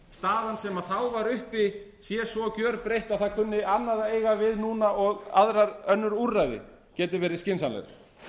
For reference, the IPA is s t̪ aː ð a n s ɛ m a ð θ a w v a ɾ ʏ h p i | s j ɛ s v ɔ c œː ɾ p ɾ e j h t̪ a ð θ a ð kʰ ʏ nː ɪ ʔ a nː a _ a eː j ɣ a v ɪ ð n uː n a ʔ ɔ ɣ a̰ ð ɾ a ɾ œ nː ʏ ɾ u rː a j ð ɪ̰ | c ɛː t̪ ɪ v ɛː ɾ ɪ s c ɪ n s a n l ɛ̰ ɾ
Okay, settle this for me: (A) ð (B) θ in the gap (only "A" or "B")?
A